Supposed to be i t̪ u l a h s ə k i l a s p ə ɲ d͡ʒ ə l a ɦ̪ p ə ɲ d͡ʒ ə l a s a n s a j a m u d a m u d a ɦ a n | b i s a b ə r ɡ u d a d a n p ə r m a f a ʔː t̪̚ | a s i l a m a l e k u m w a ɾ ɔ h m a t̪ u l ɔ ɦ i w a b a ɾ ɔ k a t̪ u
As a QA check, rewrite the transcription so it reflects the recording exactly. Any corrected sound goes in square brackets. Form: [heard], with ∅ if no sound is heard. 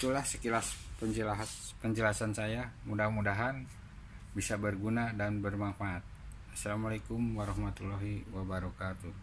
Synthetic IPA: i t̪ u l a h s ə k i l a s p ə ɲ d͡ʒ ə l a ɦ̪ p ə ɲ d͡ʒ ə l a s a n s a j a m u d a m u d a ɦ a n | b i s a b ə r ɡ u [n] a d a n [b] ə r m a f a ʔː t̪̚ | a s [a] l a m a l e k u m w a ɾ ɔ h m a t̪ u l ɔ ɦ i w a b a ɾ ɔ k a t̪ u